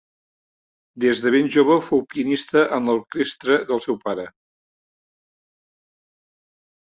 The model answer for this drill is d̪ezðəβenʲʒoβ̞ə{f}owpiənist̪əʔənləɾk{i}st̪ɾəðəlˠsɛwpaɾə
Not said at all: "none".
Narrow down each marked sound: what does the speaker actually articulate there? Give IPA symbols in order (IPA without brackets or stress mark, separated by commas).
f, e